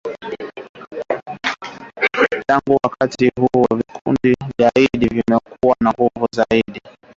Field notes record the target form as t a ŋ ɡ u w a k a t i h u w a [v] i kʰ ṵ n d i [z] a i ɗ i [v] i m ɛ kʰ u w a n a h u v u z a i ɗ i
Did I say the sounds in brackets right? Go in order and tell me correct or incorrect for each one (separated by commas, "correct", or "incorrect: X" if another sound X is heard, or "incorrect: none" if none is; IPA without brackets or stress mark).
correct, correct, correct